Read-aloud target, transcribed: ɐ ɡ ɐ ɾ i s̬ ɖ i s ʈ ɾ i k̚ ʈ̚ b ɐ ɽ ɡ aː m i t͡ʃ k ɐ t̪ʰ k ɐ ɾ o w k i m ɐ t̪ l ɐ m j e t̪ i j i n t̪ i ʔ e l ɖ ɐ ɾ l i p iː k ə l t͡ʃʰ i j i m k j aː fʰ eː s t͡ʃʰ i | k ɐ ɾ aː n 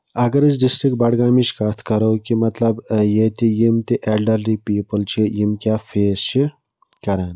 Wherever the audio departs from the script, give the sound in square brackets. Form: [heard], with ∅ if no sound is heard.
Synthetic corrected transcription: ɐ ɡ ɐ ɾ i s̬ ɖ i s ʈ ɾ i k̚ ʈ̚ b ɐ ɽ ɡ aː m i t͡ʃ k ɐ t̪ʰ k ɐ ɾ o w k i m ɐ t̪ l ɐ [b] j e t̪ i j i [m] t̪ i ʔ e l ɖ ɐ ɾ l i p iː [p] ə l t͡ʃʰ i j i m k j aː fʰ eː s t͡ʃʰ i | k ɐ ɾ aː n